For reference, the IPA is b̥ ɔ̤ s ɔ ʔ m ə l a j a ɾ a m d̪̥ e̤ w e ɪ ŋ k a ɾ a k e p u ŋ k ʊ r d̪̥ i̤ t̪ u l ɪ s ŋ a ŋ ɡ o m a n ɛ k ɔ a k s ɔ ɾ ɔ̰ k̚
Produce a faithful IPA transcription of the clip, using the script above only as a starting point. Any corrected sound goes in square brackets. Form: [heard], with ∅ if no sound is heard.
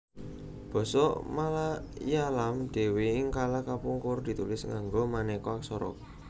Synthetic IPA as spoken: b̥ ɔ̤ s ɔ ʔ m [a] l a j a [l] a m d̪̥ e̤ w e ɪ ŋ k a [l] a k [a] p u ŋ k ʊ r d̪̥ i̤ t̪ u l ɪ s ŋ a ŋ ɡ o m a n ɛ k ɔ a k s ɔ ɾ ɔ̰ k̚